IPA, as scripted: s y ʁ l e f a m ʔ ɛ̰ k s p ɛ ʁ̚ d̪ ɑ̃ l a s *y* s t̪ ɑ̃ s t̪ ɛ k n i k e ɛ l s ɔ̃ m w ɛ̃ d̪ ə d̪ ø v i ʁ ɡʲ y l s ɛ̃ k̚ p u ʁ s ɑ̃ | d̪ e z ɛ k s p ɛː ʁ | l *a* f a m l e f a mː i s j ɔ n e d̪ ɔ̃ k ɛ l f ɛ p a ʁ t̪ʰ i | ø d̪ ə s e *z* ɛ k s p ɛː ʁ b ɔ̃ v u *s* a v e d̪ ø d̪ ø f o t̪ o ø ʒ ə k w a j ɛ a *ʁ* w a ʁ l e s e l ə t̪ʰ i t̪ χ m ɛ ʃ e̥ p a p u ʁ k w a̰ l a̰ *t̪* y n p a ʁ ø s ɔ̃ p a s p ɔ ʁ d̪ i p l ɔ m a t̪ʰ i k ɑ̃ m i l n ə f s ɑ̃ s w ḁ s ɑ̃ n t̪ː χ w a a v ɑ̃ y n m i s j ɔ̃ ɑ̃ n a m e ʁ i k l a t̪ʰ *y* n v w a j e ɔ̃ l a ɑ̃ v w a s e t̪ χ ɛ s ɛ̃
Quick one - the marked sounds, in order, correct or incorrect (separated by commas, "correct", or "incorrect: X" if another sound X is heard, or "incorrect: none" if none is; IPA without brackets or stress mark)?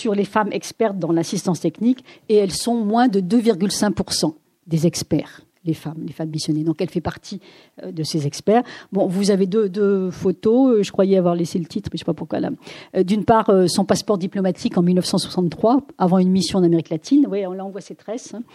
incorrect: i, incorrect: e, correct, incorrect: z, incorrect: v, incorrect: d̪, incorrect: i